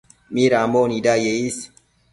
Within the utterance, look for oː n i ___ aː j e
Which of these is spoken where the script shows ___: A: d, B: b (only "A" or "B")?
A